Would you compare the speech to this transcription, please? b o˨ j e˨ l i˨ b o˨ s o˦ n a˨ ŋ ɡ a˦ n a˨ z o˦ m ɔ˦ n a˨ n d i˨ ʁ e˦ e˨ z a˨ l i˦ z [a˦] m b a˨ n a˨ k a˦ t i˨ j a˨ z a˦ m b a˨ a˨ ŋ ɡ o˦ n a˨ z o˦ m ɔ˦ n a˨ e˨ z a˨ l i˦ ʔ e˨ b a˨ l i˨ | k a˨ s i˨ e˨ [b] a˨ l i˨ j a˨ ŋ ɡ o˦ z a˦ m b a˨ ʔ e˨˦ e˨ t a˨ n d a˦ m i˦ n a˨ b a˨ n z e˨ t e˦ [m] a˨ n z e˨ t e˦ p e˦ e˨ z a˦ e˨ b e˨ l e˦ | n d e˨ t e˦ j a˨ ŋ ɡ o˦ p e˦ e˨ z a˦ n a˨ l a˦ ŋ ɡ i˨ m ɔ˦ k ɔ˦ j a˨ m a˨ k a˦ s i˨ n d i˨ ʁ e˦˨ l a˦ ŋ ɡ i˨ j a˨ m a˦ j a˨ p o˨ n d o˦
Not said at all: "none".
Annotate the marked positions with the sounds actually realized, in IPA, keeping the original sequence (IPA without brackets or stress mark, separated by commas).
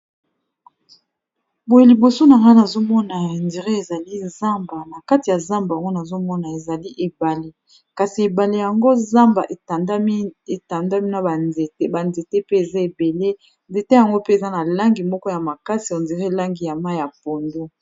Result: a˦, b, b